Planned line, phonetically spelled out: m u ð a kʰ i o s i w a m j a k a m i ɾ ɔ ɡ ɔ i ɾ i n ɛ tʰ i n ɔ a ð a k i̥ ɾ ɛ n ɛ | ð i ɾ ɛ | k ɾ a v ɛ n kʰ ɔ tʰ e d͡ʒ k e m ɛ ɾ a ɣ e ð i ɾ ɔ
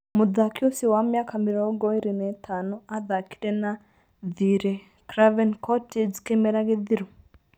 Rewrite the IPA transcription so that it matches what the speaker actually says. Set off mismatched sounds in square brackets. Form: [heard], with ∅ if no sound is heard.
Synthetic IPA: m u ð a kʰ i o s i w a m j a k a m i ɾ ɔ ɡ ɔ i ɾ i n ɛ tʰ [a] n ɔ a ð a k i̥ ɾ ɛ n [a] | ð i ɾ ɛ | k ɾ a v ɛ n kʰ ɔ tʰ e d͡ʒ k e m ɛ ɾ a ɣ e ð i ɾ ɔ